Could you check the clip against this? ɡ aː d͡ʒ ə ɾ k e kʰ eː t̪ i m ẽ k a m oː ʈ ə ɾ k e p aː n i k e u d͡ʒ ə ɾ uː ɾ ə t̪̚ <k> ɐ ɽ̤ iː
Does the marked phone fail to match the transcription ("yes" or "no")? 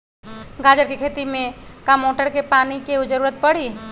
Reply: yes